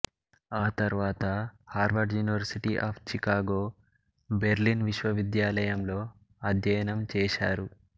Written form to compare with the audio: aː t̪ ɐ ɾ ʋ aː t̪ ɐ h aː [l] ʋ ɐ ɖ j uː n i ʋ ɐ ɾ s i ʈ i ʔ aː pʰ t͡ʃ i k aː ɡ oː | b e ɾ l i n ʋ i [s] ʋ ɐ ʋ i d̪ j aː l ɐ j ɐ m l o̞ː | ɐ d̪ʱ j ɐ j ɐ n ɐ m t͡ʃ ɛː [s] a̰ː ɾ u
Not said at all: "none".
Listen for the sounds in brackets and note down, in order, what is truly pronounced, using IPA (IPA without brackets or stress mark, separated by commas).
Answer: ɾ, ʃ, ʃ